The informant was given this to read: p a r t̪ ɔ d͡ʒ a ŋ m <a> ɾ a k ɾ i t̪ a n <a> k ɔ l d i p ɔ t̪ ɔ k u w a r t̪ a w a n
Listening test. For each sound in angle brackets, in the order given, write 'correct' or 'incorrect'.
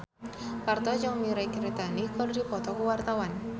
incorrect, incorrect

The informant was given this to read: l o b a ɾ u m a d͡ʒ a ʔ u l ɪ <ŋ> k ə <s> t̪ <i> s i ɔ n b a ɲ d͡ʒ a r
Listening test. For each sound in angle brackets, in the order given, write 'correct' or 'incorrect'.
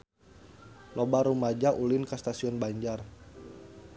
incorrect, correct, incorrect

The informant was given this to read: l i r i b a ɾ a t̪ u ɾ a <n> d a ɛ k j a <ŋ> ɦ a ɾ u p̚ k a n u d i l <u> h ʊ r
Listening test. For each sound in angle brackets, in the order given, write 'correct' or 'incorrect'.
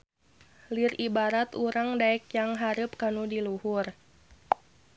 incorrect, correct, correct

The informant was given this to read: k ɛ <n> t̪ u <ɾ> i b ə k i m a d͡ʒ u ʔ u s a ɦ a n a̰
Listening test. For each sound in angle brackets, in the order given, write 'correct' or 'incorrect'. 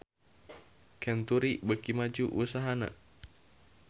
correct, correct

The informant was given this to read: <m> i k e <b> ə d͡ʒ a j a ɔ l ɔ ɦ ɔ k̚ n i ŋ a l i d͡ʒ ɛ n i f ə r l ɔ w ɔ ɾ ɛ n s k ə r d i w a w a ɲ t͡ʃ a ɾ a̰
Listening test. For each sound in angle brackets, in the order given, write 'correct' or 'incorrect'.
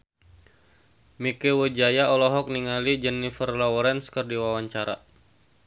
correct, incorrect

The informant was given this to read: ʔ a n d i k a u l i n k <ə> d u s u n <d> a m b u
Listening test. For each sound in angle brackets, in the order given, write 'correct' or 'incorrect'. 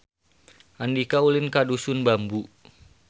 incorrect, incorrect

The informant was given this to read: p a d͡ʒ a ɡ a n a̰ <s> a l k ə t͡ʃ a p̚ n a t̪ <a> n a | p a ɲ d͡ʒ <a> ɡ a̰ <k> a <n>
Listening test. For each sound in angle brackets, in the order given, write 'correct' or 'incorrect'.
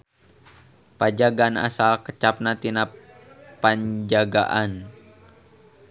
correct, incorrect, correct, incorrect, correct

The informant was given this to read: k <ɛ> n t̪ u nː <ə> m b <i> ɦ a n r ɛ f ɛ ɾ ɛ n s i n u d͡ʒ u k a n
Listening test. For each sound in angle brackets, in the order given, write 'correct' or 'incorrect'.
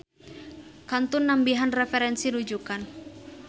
incorrect, incorrect, correct

